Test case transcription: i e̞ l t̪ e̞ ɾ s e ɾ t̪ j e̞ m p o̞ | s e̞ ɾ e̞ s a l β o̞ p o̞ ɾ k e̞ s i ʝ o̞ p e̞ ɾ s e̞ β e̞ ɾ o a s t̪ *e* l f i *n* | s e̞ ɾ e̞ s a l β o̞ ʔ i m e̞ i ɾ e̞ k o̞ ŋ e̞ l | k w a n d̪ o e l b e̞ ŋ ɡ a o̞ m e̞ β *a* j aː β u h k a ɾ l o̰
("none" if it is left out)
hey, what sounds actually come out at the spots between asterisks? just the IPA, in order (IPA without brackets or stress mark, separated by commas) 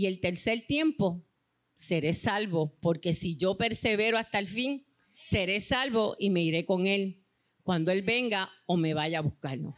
a, ŋ, a